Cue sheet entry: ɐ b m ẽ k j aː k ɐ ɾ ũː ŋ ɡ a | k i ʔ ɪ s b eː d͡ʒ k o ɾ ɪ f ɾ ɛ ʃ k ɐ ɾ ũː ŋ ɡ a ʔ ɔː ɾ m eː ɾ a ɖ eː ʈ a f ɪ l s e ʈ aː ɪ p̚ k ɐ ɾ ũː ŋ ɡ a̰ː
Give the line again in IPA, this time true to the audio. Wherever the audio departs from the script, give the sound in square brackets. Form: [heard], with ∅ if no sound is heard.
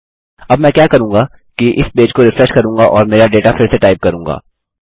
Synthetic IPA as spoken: ɐ b m [ɛ̃] k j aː k ɐ ɾ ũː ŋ ɡ a | k i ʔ ɪ s b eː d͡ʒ k o ɾ ɪ f ɾ ɛ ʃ k ɐ ɾ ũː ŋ ɡ a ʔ ɔː ɾ m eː ɾ a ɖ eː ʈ a f ɪ [ɾ] s e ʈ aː ɪ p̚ k ɐ ɾ ũː ŋ ɡ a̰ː